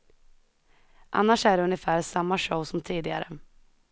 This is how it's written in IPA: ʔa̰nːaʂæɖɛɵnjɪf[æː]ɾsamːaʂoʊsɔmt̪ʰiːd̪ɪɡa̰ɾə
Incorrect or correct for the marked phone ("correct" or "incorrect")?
correct